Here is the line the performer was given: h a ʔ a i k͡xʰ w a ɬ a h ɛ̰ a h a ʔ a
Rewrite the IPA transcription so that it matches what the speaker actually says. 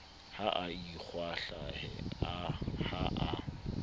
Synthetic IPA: h a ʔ a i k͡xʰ w a ɬ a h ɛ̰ a h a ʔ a